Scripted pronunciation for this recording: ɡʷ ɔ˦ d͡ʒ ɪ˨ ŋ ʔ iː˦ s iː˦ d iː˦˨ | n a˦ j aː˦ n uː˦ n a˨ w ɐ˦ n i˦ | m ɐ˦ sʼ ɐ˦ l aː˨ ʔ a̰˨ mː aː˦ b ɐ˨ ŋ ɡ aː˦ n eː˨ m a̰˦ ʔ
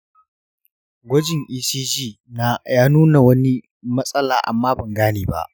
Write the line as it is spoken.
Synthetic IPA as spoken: ɡʷ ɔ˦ d͡ʒ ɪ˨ ŋ ʔ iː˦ s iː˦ d͡ʒ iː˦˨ | n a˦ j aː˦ n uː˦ n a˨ w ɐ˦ n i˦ | m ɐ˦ sʼ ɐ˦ l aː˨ ʔ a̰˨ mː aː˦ b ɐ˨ ŋ ɡ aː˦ n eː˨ b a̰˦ ʔ